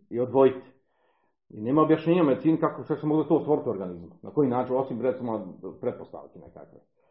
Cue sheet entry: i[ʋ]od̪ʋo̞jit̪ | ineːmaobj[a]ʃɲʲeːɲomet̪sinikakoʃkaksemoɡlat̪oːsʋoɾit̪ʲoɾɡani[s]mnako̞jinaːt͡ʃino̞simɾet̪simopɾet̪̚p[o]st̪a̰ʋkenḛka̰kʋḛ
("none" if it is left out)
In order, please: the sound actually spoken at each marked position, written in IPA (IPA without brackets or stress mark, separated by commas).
none, a, z, o